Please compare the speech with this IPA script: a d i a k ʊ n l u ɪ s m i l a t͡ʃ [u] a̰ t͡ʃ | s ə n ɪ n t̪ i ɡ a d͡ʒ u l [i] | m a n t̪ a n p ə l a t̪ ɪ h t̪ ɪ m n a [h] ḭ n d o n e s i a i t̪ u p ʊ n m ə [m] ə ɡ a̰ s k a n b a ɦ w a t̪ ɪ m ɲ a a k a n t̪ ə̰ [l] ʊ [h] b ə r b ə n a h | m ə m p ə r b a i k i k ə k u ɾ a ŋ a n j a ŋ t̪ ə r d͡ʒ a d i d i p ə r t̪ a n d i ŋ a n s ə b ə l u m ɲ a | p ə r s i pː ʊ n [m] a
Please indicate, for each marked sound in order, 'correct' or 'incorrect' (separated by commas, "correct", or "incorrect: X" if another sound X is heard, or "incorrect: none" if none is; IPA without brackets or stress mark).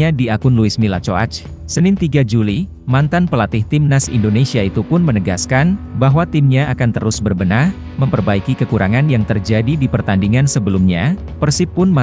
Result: incorrect: o, correct, incorrect: s, incorrect: n, incorrect: ɾ, incorrect: s, correct